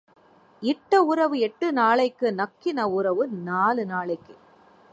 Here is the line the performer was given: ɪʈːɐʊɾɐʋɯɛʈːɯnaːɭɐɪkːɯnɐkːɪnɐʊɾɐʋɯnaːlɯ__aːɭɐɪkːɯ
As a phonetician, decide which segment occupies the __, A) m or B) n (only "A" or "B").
B